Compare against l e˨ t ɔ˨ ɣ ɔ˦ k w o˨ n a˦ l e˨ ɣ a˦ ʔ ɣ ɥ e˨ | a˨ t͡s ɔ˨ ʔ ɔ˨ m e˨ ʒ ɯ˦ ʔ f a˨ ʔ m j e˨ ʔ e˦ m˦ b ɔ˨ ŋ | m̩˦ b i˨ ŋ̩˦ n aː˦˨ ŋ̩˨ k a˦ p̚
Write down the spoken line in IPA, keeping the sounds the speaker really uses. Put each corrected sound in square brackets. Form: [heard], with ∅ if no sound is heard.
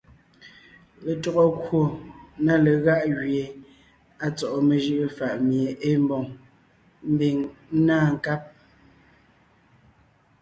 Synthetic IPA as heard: l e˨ t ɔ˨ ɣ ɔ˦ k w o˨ n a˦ l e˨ ɣ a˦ ʔ ɣ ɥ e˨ | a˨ t͡s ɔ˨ ʔ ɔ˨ m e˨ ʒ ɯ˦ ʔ f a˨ ʔ m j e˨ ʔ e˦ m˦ b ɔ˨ ŋ | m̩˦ b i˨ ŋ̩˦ n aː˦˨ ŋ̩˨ k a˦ p̚